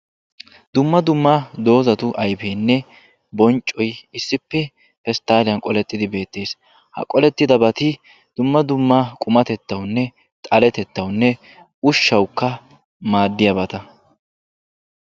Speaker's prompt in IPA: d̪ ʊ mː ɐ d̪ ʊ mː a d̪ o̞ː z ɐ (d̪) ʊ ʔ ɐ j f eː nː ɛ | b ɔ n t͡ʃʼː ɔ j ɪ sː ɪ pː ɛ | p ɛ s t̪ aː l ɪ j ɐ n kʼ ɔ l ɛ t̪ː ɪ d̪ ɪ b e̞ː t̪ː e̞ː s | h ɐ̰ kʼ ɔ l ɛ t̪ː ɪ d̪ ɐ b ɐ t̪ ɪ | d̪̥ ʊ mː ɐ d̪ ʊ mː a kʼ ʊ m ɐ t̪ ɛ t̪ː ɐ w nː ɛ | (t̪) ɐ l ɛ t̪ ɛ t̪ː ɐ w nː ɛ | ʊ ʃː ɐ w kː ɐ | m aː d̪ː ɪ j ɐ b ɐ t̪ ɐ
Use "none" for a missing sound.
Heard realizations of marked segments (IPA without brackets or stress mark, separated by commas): t̪, t̪ʼ